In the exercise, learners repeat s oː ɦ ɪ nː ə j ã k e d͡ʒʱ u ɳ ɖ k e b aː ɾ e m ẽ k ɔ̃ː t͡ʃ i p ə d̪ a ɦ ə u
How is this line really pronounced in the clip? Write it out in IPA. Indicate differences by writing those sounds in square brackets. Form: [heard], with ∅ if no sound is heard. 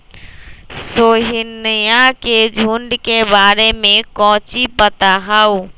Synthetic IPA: s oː ɦ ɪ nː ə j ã k e d͡ʒʱ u ɳ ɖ k e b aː ɾ e m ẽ k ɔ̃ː t͡ʃ i p ə [t̪] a ɦ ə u